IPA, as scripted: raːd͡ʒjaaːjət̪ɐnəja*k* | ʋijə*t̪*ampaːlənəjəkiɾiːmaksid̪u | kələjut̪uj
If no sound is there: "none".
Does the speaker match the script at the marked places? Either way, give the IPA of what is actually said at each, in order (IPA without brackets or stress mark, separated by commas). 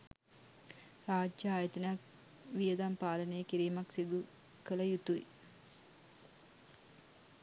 k, d̪